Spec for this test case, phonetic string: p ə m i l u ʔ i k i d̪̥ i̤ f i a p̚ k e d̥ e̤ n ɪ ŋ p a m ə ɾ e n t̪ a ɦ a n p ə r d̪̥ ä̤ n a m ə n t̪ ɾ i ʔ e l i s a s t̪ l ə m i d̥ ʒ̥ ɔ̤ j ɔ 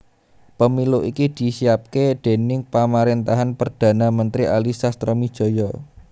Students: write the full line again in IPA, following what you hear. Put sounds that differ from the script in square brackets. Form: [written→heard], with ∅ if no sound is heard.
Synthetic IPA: p ə m i l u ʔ i k i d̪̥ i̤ [f→s] i a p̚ k e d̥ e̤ n ɪ ŋ p a m [ə→a] ɾ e n t̪ a ɦ a n p ə r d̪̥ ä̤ n a m ə n t̪ ɾ i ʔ [e→a] l i s a s t̪ [l→ɾ] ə m i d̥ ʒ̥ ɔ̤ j ɔ